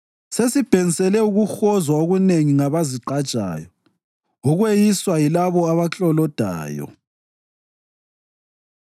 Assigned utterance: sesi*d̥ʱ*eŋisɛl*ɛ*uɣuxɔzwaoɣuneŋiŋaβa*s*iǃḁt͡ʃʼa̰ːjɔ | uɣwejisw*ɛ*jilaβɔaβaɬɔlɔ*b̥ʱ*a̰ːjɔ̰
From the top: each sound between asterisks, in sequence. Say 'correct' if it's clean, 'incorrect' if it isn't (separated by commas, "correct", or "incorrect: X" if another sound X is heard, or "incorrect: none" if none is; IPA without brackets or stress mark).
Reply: incorrect: b̥ʱ, correct, incorrect: z, incorrect: a, incorrect: d̥ʱ